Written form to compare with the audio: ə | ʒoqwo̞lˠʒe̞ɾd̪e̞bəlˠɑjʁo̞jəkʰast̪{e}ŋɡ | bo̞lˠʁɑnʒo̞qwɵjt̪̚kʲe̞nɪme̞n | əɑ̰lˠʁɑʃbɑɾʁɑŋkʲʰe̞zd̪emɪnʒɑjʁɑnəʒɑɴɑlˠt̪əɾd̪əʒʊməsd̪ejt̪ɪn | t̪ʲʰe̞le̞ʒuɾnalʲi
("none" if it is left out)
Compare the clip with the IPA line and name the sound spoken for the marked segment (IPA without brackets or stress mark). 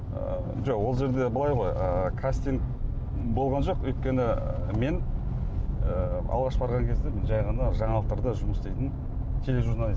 i